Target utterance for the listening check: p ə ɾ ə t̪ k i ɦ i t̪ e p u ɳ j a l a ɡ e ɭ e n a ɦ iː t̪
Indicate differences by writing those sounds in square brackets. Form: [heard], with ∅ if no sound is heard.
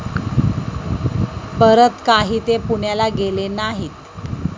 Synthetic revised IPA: p ə ɾ ə t̪ k [a] ɦ [iː] t̪ e p u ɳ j a l a ɡ e [l] e n a ɦ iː t̪

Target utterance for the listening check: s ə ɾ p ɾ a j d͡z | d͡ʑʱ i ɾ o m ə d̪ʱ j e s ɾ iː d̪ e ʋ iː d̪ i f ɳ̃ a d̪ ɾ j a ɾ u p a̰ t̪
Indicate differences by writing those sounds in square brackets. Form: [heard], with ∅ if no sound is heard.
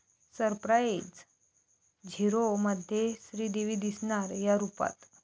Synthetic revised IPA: s ə ɾ p ɾ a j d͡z | d͡ʑʱ i ɾ o m ə d̪ʱ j e s ɾ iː d̪ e ʋ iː d̪ i [s] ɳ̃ a [∅] ɾ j a ɾ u p a̰ t̪

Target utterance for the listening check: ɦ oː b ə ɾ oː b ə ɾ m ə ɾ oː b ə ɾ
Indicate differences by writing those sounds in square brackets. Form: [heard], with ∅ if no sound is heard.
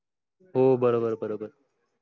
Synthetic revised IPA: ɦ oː b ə ɾ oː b ə ɾ [b] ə ɾ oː b ə ɾ

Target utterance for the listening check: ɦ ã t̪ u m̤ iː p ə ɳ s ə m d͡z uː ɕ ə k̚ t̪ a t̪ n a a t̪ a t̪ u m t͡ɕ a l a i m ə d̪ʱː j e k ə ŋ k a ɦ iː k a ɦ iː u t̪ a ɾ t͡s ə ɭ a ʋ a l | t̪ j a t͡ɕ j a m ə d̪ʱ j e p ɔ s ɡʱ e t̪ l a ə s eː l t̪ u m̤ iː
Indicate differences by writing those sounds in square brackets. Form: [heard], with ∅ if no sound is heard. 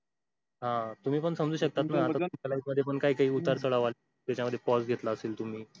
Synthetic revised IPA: ɦ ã t̪ u m̤ iː p ə ɳ s ə m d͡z uː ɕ ə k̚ t̪ a t̪ n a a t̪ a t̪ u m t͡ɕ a l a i m ə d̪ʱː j e [p] ə [ɳ] k a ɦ iː k a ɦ iː u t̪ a ɾ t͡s ə ɭ a ʋ a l | t̪ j a t͡ɕ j a m ə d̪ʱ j e p ɔ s ɡʱ e t̪ l a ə s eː l t̪ u m̤ iː

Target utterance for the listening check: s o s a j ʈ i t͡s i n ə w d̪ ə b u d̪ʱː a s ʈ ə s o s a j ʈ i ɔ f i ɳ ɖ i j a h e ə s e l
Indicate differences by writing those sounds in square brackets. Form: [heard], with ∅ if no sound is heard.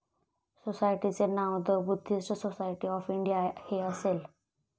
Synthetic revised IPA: s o s a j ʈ i t͡s [e] n [a] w d̪ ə b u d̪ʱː [i] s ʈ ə s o s a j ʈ i ɔ f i ɳ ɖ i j a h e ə s e l

